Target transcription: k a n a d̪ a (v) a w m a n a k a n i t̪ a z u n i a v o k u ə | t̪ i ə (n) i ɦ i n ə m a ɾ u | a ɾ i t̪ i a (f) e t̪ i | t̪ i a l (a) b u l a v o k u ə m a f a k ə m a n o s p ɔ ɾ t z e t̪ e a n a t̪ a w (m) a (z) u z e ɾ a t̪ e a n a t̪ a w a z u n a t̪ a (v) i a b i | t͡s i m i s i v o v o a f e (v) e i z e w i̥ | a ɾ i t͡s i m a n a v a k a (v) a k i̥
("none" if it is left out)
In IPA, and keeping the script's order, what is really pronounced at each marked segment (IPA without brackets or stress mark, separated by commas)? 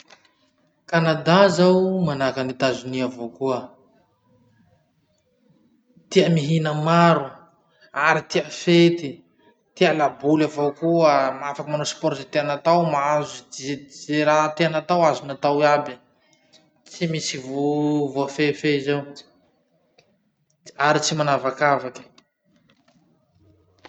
z, m, f, a, m, z, w, f, v